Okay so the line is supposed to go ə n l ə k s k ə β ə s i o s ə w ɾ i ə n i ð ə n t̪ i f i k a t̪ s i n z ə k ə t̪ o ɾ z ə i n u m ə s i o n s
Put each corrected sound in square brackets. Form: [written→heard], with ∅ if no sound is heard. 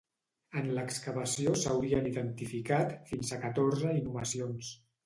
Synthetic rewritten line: ə n l ə k s k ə β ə s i o s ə w ɾ i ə n i ð ə n t̪ i f i k a t̪ [s→f] i n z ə k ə t̪ o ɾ z ə i n u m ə s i o n s